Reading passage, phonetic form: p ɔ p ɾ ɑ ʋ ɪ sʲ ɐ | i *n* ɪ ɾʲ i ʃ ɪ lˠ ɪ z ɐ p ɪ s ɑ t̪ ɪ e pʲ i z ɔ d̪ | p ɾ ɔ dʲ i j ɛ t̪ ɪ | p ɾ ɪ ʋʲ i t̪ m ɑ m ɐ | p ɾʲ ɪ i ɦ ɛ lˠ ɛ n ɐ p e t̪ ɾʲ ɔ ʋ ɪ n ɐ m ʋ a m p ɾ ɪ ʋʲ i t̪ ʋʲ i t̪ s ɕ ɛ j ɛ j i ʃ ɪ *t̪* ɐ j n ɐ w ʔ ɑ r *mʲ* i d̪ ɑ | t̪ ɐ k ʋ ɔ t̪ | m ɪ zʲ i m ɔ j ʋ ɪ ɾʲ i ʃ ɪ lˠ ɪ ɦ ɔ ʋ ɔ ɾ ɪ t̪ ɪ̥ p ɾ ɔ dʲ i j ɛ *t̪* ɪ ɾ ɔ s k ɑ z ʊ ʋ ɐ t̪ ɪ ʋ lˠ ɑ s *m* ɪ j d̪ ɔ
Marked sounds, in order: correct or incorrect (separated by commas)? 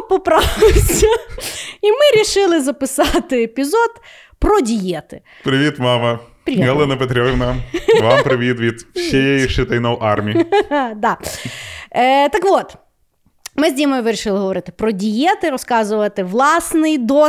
incorrect, correct, correct, correct, incorrect